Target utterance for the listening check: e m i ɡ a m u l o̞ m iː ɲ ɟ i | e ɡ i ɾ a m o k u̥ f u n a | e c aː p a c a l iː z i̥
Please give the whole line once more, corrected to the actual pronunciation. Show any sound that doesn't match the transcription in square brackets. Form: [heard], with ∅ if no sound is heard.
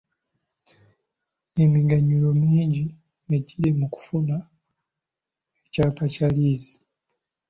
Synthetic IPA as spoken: e m i ɡ a [ɲ] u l o̞ m iː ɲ ɟ i | e [ɟ] i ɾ [e] m [u] k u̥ f u n a | e c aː p a c a l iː z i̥